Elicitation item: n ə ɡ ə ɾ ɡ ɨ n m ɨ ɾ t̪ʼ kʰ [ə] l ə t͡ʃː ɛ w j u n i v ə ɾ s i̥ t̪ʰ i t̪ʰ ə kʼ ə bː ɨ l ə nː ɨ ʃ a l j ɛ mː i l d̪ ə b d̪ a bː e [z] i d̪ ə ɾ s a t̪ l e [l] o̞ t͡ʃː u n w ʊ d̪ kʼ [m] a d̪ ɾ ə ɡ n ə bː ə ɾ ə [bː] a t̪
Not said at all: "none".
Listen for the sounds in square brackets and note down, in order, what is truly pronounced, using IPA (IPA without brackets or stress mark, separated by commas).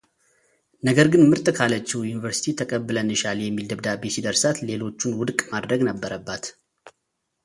a, s, l, m, bː